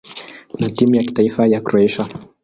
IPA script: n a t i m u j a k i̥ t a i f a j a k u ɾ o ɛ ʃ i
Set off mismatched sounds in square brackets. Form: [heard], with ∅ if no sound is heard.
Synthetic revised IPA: n a t i m u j a k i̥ t a i f a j a k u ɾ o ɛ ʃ [a]